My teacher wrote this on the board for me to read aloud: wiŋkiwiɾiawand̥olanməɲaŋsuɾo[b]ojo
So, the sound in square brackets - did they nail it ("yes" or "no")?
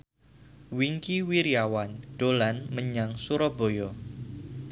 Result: yes